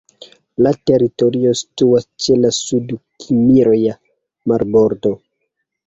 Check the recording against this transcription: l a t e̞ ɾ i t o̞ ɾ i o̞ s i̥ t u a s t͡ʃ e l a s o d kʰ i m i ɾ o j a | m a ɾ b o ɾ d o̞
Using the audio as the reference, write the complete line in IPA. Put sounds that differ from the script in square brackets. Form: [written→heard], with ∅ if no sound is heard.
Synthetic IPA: l a t e̞ ɾ i t o̞ ɾ i o̞ s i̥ t u a s t͡ʃ e l a s [o→u] d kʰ i m i ɾ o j a | m a ɾ b o ɾ d o̞